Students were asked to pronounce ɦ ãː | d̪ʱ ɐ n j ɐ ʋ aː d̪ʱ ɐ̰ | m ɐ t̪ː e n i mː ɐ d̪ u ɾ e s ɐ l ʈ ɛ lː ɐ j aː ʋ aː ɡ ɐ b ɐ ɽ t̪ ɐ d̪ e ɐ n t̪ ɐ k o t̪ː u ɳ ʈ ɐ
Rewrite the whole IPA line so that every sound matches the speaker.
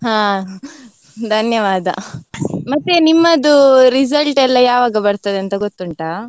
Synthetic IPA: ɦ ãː | d̪ʱ ɐ n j ɐ ʋ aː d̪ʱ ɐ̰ | m ɐ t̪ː e n i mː ɐ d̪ u ɾ i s ɐ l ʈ ɛ lː ɐ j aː ʋ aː ɡ ɐ b ɐ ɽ t̪ ɐ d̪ e ɐ n t̪ ɐ ɡ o t̪ː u ɳ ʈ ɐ